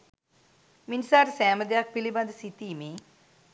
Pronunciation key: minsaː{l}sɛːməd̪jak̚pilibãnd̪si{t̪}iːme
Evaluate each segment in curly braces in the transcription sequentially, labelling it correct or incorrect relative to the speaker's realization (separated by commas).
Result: incorrect, correct